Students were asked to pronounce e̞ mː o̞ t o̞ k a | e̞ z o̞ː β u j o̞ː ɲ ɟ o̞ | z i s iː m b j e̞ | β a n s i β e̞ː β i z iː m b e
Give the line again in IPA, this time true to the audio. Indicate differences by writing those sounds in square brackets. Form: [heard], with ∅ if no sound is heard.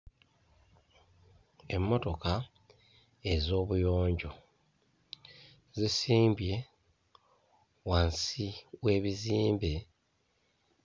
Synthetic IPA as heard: e̞ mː o̞ t o̞ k a | e̞ z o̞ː β u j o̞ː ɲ ɟ o̞ | z i s iː m b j e̞ | [w] a n s i [w] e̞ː β i z iː m b e